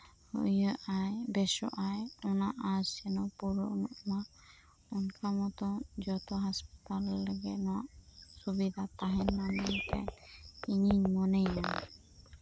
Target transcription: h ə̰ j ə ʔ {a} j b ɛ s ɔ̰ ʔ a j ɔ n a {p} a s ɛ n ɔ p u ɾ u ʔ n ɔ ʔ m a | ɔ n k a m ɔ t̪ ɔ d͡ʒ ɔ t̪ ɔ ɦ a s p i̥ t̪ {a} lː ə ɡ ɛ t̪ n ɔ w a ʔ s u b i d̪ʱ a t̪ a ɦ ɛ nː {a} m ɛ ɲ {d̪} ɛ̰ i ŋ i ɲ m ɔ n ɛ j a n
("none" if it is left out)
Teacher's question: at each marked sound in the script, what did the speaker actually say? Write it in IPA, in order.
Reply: a, ʔ, a, a, t̪

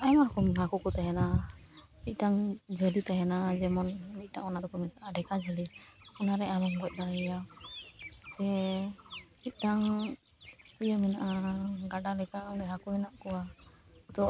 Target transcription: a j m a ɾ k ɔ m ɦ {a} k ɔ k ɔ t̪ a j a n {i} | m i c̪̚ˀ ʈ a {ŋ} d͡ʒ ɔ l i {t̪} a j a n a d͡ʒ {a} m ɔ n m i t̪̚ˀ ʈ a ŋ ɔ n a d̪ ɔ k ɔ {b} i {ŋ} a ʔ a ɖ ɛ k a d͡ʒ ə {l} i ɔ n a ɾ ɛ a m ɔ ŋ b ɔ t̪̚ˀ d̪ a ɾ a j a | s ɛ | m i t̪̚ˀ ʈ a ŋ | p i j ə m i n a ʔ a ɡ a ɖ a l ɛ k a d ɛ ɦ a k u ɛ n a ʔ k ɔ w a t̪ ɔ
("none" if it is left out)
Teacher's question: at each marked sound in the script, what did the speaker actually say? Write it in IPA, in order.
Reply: a, a, ŋ, t̪, ɛ, m, n, l

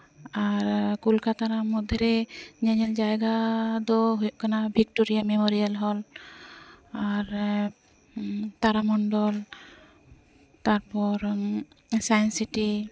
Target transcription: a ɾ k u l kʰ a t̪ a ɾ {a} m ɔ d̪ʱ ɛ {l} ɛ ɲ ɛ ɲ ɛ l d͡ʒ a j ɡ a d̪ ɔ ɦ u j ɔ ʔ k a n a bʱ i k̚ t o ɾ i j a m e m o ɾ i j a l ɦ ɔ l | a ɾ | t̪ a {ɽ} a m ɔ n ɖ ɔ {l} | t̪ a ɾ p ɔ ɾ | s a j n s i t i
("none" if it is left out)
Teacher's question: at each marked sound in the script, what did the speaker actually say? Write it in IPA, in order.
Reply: a, ɾ, ɾ, l

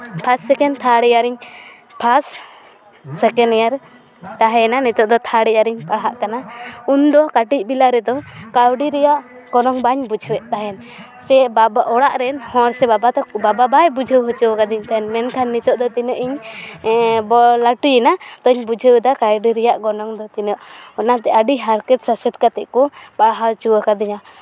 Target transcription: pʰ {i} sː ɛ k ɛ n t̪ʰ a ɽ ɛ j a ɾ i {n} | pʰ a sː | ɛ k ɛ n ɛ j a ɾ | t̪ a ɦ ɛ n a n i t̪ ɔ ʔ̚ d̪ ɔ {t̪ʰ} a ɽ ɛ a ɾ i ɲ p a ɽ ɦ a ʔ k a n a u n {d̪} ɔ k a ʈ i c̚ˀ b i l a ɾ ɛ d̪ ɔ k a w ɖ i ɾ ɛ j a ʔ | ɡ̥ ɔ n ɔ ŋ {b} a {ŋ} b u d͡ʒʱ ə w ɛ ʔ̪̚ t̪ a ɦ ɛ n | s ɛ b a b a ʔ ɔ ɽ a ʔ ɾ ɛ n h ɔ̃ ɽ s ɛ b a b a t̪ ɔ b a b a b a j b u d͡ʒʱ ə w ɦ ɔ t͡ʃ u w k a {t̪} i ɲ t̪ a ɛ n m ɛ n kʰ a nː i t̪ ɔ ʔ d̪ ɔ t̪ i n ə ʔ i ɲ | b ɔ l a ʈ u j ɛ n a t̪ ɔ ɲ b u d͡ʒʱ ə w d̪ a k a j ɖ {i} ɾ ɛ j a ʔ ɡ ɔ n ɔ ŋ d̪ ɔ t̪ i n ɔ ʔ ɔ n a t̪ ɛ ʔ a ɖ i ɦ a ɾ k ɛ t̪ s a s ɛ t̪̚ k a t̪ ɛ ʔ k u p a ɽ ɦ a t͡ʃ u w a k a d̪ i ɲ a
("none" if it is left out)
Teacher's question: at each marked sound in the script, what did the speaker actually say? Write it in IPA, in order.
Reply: a, ɲ, t̪ʰ, d̪, b, ɲ, d̪, i

